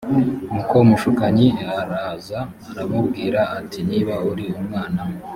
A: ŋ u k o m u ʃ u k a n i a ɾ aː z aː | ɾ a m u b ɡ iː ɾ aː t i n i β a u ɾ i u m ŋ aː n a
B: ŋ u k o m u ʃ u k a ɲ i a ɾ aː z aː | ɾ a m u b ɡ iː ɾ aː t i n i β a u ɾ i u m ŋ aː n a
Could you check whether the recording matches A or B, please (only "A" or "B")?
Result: B